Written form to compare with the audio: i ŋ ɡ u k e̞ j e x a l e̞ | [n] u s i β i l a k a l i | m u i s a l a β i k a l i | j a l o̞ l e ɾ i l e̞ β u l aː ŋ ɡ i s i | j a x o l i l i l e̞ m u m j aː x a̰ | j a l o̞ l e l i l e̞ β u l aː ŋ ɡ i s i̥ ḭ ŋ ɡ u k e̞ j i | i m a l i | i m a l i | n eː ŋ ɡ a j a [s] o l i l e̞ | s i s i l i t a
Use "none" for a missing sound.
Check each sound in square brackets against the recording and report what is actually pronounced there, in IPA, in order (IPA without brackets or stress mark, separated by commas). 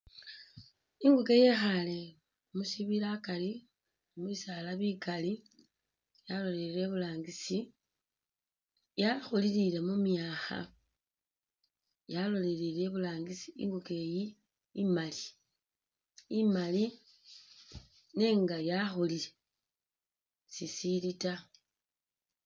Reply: m, x